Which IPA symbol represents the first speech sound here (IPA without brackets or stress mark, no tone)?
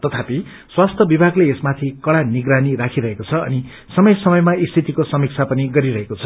t̪